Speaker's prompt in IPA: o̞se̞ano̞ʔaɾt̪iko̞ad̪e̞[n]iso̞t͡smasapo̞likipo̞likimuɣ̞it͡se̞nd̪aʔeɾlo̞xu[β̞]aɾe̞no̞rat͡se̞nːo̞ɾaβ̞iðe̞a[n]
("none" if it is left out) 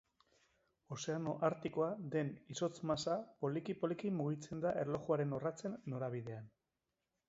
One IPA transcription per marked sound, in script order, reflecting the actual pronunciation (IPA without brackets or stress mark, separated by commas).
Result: n, none, n